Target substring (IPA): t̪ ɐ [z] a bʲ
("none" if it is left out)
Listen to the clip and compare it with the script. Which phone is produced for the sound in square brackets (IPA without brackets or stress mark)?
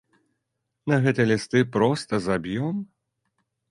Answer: z